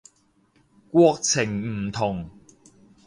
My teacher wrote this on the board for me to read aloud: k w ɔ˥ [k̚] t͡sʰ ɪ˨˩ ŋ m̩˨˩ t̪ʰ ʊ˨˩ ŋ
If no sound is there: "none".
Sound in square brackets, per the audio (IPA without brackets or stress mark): k̚